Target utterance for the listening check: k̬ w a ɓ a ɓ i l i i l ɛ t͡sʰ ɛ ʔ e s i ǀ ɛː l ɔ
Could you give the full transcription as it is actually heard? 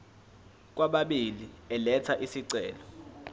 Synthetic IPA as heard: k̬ w a ɓ a ɓ i l i ɛ l ɛ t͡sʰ a ʔ i s i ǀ ɛː l ɔ